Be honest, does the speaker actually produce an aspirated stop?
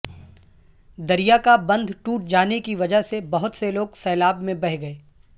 no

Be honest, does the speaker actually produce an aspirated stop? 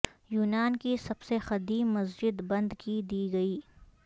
no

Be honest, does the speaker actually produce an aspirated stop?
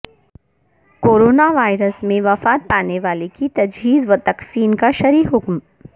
no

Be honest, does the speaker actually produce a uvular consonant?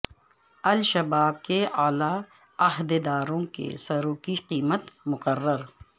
yes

